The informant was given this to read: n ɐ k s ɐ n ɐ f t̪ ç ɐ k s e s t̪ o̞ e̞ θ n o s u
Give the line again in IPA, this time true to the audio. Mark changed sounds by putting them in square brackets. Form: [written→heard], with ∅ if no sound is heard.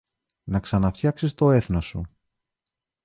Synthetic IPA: n ɐ k s ɐ n ɐ f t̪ ç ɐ k s [e→i] s t̪ o̞ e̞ θ n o s u